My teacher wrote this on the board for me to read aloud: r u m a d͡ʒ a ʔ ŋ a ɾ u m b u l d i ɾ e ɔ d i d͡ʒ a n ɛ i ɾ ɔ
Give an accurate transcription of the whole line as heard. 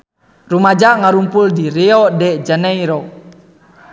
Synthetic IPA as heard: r u m a d͡ʒ a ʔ ŋ a ɾ u m p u l d i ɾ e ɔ d ɛ d͡ʒ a n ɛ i ɾ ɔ

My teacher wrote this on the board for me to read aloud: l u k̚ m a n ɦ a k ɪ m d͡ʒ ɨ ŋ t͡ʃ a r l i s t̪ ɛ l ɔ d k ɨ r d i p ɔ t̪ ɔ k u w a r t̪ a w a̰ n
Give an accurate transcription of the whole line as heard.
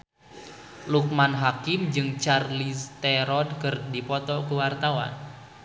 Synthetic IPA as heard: l u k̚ m a n ɦ a k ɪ m d͡ʒ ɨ ŋ t͡ʃ a r l i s t̪ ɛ ɾ ɔ d k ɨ r d i p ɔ t̪ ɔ k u w a r t̪ a w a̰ n

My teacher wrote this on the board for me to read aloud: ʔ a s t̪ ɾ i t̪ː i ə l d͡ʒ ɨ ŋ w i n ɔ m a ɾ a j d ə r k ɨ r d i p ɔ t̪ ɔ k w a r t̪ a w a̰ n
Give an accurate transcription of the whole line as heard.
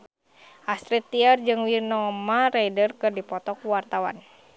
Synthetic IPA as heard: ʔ a s t̪ ɾ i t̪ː i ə r d͡ʒ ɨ ŋ w i n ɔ m a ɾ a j d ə r k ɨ r d i p ɔ t̪ ɔ k w a r t̪ a w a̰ n

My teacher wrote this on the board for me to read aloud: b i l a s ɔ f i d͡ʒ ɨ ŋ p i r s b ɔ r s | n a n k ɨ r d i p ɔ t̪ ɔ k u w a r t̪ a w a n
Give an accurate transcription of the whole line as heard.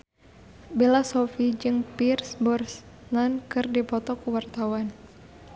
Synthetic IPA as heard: b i l a s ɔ f i d͡ʒ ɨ ŋ p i r s b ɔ r s | n a n k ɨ r d i p ɔ t̪ ɔ k u w a r t̪ a w a n

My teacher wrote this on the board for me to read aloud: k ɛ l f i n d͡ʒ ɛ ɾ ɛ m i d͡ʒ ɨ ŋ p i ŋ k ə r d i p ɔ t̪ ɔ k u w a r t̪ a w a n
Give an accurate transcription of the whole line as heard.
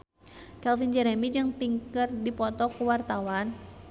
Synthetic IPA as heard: k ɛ l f i n d͡ʒ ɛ ɾ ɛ m i d͡ʒ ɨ ŋ p i ŋ k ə r d i p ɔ t̪ ɔ k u w a r t̪ a w a n

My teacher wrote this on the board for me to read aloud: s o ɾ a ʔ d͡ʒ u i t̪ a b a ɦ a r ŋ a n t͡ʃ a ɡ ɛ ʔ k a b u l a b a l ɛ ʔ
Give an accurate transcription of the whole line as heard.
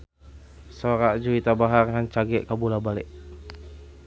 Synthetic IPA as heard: s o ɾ a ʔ d͡ʒ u i t̪ a b a ɦ a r ŋ a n t͡ʃ a ɡ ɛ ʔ k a b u l a b a l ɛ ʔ

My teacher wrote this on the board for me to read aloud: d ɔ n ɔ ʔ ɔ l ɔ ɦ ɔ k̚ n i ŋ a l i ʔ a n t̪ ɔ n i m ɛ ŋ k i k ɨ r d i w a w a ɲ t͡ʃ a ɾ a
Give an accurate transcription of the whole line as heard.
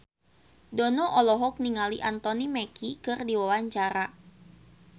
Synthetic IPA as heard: d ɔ n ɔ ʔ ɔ l ɔ ɦ ɔ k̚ n i ŋ a l i ʔ a n t̪ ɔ n i m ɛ k i k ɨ r d i w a w a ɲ t͡ʃ a ɾ a

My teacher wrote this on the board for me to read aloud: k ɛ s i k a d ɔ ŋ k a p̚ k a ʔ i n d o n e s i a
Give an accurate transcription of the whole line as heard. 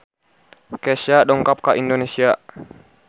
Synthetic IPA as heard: k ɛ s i a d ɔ ŋ k a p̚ k a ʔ i n d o n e s i a

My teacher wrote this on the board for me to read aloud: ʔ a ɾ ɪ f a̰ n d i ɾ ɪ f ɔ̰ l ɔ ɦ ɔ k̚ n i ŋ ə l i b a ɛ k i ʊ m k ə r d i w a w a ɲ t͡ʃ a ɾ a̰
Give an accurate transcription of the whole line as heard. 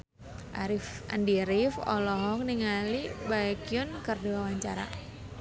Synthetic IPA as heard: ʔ a ɾ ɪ f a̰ n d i ɾ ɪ f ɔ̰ l ɔ ɦ ɔ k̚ n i ŋ a l i b a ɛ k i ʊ n k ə r d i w a w a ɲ t͡ʃ a ɾ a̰

